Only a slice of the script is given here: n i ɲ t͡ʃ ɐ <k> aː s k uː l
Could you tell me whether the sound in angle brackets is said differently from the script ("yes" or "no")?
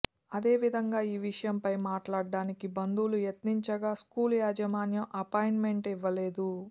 yes